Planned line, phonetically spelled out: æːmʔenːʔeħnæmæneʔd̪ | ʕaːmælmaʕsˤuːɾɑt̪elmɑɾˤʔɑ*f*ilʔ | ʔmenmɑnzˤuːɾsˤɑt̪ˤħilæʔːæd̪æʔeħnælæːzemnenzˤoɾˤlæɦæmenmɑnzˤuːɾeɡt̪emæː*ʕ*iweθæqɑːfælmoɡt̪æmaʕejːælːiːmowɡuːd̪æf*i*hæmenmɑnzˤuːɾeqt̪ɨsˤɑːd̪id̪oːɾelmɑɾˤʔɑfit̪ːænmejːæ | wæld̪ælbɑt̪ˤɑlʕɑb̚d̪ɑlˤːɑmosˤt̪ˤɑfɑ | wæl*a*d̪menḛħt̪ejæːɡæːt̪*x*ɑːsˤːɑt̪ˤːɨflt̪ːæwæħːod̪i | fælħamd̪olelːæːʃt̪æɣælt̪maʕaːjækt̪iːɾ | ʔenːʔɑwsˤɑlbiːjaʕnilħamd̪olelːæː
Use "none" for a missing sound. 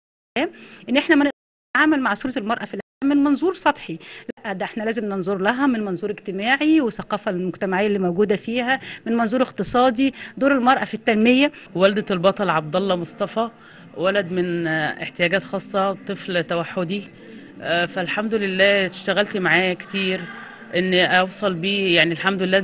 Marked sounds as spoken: f, ʕ, iː, æ, x

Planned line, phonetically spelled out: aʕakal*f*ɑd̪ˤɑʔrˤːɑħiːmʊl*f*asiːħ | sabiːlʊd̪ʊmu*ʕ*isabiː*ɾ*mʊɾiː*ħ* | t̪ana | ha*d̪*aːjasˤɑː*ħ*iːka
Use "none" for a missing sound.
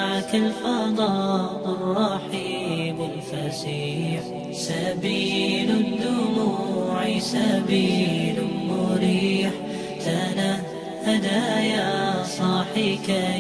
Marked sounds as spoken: f, f, ʕ, l, ħ, d̪, ħ

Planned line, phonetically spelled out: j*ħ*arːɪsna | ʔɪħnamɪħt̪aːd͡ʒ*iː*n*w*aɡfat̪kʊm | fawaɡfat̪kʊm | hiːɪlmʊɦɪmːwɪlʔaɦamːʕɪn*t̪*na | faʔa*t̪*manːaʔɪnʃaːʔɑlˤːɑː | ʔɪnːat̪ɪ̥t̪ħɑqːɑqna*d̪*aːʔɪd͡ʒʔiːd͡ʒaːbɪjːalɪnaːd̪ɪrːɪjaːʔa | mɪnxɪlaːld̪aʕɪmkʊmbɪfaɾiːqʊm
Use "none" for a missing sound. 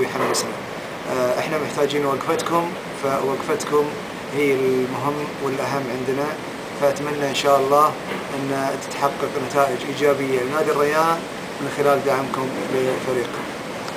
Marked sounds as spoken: ħ, iː, w, d̪, t̪, t̪

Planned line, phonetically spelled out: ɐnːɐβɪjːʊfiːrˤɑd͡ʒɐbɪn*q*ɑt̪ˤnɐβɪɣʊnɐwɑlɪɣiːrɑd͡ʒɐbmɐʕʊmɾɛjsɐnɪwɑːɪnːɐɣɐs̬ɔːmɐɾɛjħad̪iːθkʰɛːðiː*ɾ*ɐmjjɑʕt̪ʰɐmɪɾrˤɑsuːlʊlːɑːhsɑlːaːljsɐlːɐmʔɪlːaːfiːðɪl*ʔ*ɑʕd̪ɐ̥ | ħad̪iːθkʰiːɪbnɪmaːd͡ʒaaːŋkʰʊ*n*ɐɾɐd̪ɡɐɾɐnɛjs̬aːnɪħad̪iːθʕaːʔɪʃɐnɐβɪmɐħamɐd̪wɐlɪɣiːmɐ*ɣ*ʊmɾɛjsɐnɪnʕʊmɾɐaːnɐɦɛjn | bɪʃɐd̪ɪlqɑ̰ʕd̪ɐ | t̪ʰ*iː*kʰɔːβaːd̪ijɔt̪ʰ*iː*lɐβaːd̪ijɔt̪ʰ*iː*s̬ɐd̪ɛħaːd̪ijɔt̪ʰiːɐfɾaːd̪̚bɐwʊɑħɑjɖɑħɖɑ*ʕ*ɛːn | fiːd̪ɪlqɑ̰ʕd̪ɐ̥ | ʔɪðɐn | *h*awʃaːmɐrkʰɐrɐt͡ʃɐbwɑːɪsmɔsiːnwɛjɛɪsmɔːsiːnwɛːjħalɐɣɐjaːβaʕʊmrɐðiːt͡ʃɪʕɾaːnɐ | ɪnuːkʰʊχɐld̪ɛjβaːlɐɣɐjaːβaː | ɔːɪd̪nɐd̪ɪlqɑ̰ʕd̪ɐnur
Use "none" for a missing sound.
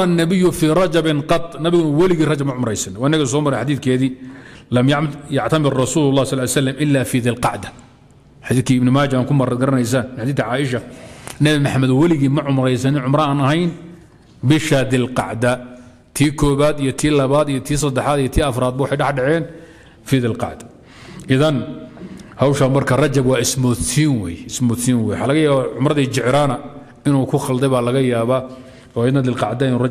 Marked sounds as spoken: q, l, q, m, ʕ, iː, iː, iː, ʕ, h

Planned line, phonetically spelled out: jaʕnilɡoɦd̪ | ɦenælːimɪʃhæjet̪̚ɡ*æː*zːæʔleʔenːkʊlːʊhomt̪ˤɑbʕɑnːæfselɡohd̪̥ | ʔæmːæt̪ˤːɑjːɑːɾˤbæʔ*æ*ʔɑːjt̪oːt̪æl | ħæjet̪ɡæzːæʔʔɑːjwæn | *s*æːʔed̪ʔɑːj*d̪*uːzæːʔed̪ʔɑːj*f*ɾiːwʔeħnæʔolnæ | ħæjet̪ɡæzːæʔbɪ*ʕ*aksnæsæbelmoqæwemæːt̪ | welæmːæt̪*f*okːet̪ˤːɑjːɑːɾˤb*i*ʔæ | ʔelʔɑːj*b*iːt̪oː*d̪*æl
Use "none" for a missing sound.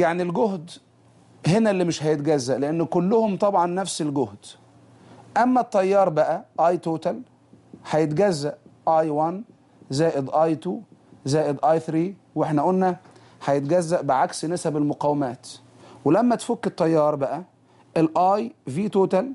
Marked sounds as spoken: æ, æ, z, t̪, θ, ʕ, f, æ, v, t̪

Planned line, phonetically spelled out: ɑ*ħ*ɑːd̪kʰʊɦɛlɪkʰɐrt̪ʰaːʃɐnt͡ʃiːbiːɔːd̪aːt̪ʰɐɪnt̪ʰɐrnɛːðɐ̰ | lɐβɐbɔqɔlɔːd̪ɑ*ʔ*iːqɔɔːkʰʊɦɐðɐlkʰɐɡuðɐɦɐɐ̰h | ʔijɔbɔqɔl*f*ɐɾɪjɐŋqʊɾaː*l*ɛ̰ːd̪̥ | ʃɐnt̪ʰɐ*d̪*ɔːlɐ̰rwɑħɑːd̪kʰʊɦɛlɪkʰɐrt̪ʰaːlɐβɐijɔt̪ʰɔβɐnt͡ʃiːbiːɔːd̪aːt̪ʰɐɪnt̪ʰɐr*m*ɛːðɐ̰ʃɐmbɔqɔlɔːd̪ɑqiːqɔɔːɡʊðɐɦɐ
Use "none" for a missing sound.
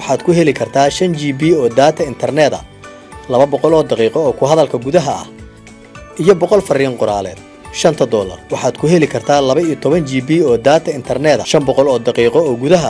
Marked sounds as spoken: ħ, q, f, l, d̪, n

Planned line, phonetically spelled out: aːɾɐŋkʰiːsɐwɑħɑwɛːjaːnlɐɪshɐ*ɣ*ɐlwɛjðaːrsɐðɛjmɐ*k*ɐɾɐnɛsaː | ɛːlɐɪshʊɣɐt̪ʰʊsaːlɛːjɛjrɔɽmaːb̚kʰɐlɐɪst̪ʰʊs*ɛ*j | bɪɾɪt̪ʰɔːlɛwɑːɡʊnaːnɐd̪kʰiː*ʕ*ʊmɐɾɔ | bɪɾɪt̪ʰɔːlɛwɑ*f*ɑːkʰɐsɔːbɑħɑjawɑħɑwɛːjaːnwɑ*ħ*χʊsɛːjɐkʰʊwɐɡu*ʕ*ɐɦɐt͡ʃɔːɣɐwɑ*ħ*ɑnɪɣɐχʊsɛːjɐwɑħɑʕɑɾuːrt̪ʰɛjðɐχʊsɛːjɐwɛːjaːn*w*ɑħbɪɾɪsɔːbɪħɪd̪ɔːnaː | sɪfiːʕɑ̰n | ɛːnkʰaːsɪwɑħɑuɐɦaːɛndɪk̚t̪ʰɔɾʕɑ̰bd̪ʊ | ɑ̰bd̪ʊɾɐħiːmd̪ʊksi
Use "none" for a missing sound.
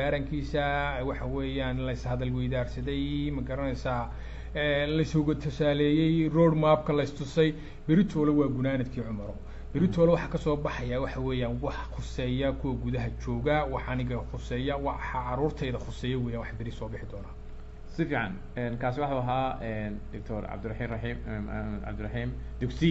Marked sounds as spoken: ð, ɡ, ɛ, ʕ, ħ, ħ, ð, ħ, w

